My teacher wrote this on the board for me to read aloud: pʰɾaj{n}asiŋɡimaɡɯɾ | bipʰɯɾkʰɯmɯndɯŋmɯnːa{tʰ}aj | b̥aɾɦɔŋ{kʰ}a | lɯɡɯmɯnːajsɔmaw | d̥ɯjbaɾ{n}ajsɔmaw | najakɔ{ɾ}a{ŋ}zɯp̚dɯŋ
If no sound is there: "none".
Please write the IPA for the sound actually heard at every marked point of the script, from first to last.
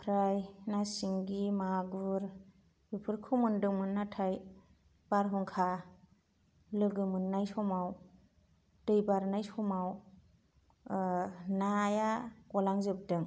n, tʰ, kʰ, n, l, ŋ

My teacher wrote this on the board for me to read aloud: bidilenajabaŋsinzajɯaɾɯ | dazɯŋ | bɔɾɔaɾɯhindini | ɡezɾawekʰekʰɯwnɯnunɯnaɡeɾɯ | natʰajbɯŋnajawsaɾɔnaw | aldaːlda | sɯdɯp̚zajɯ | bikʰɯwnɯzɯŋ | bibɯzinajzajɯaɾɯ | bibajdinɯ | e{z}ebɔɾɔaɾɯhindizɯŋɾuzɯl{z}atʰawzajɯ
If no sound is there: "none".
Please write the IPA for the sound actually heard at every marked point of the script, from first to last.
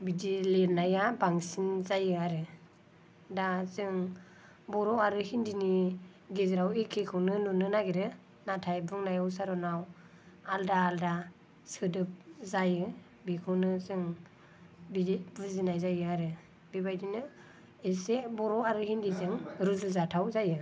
s, z

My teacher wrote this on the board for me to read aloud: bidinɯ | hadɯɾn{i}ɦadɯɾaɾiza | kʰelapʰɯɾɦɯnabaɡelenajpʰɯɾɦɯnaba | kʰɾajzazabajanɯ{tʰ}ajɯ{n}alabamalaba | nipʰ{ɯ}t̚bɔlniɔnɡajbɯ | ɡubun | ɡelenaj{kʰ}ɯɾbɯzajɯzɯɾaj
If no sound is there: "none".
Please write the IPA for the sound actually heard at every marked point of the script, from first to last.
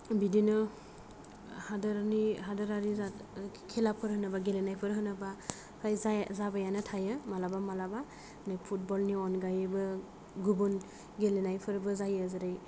i, tʰ, m, u, pʰ

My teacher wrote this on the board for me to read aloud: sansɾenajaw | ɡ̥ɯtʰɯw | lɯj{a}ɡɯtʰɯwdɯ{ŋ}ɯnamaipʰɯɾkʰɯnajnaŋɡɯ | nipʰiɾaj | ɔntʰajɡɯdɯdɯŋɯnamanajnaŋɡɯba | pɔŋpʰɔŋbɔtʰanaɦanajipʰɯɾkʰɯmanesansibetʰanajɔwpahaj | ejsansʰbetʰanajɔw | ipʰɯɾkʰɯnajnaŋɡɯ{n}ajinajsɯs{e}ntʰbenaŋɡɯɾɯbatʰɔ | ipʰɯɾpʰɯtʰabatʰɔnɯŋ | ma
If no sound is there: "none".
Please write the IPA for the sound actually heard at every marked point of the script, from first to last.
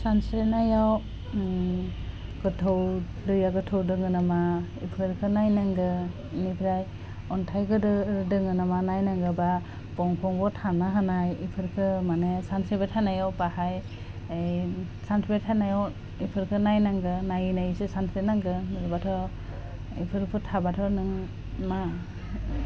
a, ŋ, n, a

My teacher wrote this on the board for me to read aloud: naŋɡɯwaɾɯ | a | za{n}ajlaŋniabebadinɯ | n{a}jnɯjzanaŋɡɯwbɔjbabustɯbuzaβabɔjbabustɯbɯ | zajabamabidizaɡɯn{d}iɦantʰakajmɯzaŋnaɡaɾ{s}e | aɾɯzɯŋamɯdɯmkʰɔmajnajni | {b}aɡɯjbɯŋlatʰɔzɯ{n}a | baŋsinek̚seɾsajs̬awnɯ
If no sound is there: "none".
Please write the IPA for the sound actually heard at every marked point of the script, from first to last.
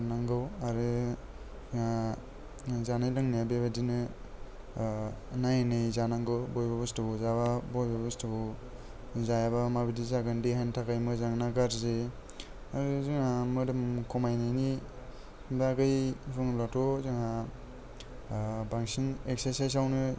n, a, d, z, b, ŋ

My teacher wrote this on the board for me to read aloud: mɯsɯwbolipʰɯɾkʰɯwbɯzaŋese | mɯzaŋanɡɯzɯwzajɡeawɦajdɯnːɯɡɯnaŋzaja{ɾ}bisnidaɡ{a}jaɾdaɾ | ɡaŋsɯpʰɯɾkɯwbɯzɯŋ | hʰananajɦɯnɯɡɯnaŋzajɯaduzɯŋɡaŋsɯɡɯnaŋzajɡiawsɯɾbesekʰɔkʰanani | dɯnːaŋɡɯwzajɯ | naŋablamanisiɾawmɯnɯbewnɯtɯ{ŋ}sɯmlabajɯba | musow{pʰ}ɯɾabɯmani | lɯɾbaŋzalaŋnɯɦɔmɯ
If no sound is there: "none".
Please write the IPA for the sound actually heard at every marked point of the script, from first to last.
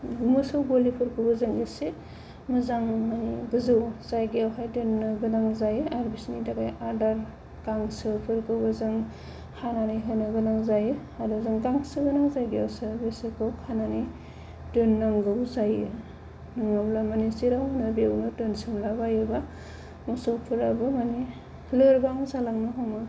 ɾ, a, n, pʰ

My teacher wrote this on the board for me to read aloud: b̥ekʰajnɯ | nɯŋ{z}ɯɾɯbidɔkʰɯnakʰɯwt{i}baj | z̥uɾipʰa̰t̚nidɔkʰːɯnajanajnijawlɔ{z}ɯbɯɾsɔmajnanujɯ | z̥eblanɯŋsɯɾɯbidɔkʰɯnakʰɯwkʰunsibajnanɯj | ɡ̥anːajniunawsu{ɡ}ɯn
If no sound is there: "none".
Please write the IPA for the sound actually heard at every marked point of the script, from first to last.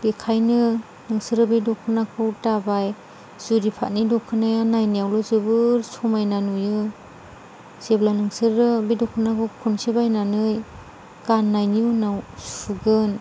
s, a, z, ɡ

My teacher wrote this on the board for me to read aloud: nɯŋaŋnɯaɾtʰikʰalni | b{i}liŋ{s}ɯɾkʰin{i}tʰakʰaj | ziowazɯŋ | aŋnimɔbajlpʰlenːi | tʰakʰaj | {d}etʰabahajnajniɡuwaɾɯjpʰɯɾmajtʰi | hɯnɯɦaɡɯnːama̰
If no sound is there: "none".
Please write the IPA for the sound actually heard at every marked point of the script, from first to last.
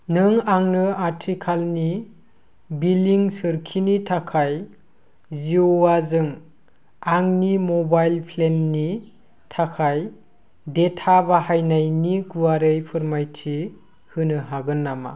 i, s, i, d

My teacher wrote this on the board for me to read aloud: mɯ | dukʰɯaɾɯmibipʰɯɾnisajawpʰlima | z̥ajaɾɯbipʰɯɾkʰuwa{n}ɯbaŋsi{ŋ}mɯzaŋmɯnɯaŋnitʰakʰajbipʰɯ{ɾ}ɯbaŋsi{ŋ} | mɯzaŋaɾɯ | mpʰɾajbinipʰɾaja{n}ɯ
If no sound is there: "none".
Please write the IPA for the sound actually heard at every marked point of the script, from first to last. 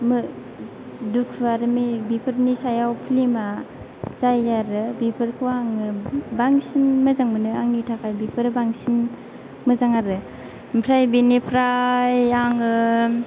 ŋ, n, ɾ, n, ŋ

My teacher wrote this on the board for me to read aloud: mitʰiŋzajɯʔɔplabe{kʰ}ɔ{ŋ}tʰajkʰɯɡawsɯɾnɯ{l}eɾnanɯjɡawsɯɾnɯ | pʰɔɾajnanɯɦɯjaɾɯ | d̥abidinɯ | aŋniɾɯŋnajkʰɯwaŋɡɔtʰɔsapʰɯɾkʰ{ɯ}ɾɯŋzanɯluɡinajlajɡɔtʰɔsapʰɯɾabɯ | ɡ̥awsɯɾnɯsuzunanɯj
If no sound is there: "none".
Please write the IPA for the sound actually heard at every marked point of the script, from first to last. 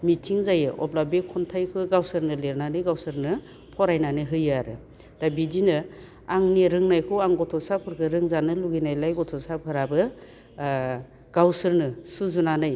kʰ, n, l, ɯ

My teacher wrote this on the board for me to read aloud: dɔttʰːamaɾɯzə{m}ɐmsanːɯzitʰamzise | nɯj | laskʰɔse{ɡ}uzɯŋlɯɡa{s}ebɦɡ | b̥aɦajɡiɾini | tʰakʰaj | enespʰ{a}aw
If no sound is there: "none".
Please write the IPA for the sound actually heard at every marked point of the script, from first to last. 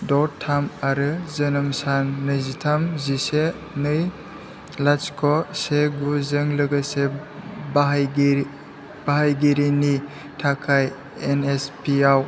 n, ɡ, s, i

